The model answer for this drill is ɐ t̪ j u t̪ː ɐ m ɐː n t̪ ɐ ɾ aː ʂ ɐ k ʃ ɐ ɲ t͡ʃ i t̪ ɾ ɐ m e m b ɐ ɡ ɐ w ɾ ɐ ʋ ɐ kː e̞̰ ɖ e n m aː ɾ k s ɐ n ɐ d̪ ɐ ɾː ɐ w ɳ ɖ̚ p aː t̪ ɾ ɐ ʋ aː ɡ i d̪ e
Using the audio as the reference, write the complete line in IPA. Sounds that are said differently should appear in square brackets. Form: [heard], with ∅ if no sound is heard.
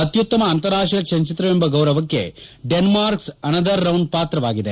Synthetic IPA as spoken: ɐ t̪ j u t̪ː ɐ m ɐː n t̪ ɐ ɾ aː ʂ ɐ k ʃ ɐ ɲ t͡ʃ i t̪ ɾ ɐ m e m b ɐ ɡ ɐ w ɾ ɐ ʋ ɐ kː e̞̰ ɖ e n m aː ɾ k s ɐ n ɐ d̪ ɐ ɾː ɐ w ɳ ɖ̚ p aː t̪ ɾ ɐ ʋ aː ɡ i d̪ e